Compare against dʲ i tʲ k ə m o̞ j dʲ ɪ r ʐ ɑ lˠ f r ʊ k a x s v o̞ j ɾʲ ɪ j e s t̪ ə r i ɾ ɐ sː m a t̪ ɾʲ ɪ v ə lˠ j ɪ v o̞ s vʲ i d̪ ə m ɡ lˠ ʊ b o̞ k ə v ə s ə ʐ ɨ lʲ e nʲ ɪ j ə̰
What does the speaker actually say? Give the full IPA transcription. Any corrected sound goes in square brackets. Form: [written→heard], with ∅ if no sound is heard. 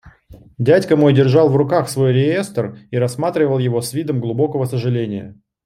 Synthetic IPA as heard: dʲ [i→æ] tʲ k ə m o̞ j dʲ ɪ r ʐ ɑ lˠ [f→v] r ʊ k a x s v o̞ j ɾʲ ɪ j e s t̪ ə r i ɾ ɐ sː m a t̪ ɾʲ ɪ v ə lˠ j ɪ v o̞ s vʲ i d̪ ə m ɡ lˠ ʊ b o̞ k ə v ə s ə ʐ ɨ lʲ e nʲ ɪ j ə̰